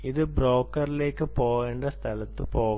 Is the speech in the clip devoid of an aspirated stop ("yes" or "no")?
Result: no